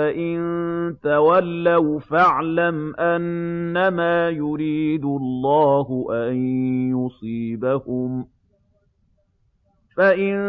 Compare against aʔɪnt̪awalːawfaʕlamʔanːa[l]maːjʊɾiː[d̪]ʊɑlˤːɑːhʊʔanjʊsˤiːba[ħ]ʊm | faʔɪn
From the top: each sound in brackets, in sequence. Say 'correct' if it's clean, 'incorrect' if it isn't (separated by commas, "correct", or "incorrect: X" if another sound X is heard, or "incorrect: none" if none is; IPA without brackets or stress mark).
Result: incorrect: none, correct, incorrect: h